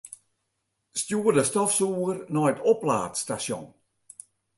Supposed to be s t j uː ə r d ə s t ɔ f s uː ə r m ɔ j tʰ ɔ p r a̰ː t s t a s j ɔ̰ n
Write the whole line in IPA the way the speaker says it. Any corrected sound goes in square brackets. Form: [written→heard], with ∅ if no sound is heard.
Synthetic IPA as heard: s t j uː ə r d ə s t ɔ f s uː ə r [m→n] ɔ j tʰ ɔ p [r→l] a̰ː t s t a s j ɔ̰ n